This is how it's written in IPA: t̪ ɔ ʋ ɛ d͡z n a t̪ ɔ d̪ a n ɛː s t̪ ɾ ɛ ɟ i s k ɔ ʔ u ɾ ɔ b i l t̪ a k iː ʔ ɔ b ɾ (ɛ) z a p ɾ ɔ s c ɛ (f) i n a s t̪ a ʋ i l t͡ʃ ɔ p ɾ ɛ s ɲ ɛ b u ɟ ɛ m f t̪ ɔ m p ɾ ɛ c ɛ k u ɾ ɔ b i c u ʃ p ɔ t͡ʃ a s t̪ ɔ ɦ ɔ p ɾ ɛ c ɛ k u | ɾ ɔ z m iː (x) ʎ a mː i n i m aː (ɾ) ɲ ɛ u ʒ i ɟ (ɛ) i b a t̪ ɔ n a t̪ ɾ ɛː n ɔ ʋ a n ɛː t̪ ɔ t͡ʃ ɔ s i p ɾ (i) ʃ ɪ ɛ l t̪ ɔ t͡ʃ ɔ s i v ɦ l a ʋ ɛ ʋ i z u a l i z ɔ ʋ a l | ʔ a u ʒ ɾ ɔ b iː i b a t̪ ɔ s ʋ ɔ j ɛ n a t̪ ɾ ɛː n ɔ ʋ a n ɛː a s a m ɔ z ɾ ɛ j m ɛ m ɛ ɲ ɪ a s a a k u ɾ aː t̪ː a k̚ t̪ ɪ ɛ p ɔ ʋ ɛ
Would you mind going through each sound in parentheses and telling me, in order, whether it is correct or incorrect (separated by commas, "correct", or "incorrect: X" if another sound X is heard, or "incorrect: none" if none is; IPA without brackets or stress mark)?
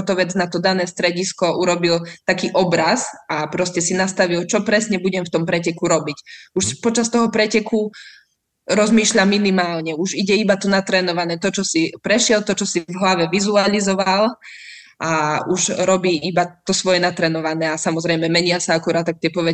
incorrect: a, incorrect: s, incorrect: ʃ, incorrect: l, correct, incorrect: ɛ